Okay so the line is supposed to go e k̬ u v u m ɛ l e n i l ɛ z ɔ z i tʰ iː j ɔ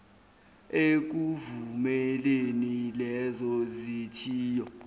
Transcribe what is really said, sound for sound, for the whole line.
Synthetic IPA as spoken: e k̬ u v u m ɛ l e n i l ɛ z ɔ z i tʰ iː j ɔ